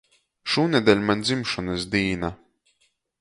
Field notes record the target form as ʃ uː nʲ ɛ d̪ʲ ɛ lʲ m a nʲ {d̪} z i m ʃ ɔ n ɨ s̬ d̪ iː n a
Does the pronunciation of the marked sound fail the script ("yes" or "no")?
no